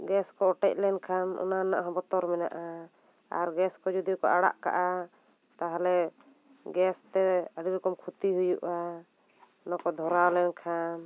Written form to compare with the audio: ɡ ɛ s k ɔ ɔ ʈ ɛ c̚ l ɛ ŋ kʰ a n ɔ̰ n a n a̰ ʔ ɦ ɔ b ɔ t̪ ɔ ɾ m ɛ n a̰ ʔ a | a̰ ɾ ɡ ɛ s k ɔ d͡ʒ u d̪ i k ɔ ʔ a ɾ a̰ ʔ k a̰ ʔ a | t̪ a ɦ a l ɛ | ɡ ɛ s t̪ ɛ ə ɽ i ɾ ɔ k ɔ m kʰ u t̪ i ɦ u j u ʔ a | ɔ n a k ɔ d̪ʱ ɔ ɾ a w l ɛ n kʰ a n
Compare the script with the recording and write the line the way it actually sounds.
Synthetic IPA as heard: ɡ ɛ s k ɔ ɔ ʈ ɛ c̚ l ɛ n kʰ a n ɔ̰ n a n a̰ ʔ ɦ ɔ b ɔ t̪ ɔ ɾ m ɛ n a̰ ʔ a | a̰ ɾ ɡ ɛ s k ɔ d͡ʒ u d̪ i k ɔ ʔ a ɽ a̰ ʔ k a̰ ʔ a | t̪ a ɦ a l ɛ | ɡ ɛ s t̪ ɛ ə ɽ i ɾ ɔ k ɔ m kʰ u t̪ i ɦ u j u ʔ a | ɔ n a k ɔ d̪ʱ ɔ ɾ a w l ɛ n kʰ a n